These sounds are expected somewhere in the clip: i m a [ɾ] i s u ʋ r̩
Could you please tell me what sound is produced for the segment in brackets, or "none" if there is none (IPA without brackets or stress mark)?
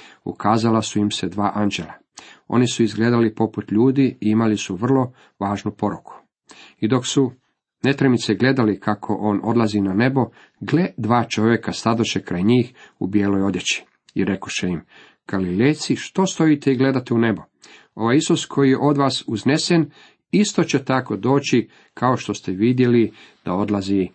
l